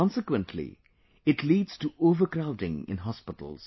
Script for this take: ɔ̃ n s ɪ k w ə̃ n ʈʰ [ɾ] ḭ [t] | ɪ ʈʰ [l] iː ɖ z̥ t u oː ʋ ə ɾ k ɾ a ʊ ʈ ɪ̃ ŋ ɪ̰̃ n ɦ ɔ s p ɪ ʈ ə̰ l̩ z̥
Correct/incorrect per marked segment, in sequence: incorrect, incorrect, correct

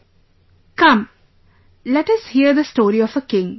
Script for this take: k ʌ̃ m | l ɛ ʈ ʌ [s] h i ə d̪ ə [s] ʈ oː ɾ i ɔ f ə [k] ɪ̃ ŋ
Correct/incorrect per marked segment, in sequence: correct, correct, correct

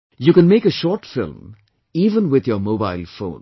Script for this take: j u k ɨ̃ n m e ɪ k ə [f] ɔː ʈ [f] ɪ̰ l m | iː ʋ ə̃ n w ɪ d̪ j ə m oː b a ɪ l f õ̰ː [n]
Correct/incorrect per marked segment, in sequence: incorrect, correct, correct

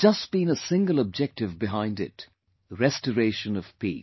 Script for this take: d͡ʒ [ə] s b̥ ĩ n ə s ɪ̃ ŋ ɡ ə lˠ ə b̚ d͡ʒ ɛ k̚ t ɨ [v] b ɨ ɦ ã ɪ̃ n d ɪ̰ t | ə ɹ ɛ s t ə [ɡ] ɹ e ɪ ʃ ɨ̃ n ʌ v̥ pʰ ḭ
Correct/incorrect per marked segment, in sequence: incorrect, correct, incorrect

